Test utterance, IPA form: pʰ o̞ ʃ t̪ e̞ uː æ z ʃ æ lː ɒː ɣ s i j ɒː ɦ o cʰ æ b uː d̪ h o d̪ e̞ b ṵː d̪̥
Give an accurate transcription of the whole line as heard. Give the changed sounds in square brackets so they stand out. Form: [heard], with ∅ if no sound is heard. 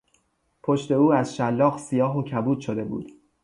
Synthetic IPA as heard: pʰ o̞ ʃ t̪ e̞ uː æ z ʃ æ lː ɒː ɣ s i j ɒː ɦ o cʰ æ b uː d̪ [ʃ] o d̪ e̞ b ṵː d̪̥